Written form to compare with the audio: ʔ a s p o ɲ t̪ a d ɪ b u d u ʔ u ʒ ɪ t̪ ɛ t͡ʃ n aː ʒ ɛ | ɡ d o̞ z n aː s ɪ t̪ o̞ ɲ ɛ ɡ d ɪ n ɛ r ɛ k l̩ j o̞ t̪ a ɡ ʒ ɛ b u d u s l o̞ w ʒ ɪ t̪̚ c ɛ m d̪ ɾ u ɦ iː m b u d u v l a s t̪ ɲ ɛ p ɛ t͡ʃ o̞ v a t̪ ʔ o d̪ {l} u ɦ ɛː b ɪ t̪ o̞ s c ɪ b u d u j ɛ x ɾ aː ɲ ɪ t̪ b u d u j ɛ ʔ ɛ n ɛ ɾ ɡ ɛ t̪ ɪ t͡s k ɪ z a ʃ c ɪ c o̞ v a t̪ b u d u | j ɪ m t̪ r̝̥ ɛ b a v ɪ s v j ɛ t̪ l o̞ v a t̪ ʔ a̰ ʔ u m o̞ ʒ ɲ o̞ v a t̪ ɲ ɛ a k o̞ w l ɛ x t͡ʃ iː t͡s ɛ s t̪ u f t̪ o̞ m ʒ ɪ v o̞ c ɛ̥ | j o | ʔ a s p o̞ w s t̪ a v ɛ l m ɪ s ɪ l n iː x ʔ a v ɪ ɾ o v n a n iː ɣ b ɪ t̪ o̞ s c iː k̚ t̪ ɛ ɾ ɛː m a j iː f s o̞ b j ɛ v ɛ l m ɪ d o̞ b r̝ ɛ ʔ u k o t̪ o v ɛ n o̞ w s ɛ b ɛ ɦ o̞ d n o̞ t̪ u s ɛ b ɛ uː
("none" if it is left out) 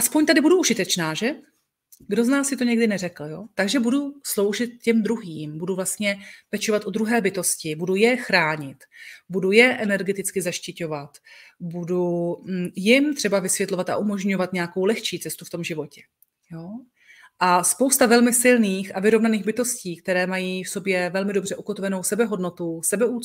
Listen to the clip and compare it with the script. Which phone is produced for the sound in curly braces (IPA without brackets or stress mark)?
ɾ